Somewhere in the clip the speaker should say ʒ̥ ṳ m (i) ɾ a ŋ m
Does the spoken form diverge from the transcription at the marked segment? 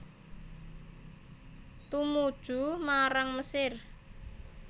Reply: yes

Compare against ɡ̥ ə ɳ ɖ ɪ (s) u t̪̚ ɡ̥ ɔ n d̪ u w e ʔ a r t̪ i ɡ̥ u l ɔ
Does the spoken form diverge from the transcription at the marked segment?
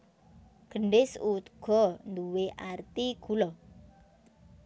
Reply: no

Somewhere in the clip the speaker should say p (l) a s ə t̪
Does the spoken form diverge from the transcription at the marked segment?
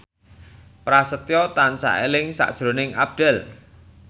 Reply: yes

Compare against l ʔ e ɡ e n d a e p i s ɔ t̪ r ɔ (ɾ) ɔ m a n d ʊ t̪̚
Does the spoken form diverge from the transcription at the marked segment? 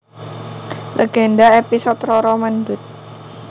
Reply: no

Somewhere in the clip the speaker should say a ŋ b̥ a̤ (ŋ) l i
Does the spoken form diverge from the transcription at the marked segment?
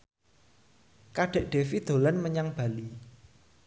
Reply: yes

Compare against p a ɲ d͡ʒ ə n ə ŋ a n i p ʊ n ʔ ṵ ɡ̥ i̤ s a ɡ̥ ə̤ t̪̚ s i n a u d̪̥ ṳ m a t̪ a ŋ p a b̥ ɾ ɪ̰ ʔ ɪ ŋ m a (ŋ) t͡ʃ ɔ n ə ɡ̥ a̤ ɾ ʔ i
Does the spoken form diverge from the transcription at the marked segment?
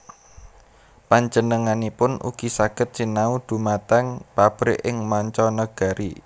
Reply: yes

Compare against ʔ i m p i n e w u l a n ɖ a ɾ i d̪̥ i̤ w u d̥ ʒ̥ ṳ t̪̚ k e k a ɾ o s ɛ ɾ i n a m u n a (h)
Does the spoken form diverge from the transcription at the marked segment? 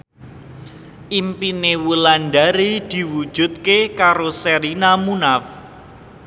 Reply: yes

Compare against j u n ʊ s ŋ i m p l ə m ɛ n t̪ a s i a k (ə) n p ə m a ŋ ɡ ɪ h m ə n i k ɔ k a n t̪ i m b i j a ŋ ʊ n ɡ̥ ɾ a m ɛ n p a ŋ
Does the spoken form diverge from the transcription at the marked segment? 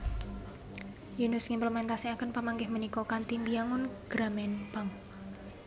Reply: no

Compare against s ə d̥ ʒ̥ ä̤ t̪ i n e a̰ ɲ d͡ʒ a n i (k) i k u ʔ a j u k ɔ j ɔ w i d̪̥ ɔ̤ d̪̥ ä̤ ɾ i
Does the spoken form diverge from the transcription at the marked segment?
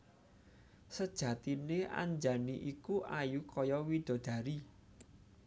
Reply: yes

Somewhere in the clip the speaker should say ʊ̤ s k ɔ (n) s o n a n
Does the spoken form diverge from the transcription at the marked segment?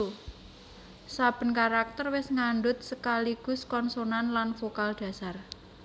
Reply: no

